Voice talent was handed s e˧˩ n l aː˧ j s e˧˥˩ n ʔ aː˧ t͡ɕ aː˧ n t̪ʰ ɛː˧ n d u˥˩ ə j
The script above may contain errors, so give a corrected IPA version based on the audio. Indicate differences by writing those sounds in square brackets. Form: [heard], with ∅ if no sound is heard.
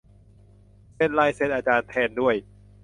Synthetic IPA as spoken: s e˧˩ n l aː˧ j s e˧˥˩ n ʔ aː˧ t͡ɕ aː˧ n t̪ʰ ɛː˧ n d u˥˩ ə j